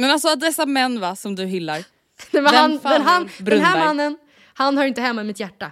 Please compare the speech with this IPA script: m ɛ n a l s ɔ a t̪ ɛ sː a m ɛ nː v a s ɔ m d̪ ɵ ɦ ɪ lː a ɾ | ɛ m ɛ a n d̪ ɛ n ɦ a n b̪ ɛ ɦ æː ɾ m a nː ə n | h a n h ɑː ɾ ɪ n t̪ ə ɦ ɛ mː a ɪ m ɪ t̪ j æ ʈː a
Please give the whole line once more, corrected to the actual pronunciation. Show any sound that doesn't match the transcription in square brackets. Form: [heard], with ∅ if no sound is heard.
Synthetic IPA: m ɛ n a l s ɔ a [d̪] ɛ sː a m ɛ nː v a s ɔ m d̪ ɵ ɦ ɪ lː a ɾ | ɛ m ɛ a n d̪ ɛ n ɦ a n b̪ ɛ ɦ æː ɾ m a nː ə n | h a n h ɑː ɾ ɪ n t̪ ə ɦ ɛ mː a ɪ m ɪ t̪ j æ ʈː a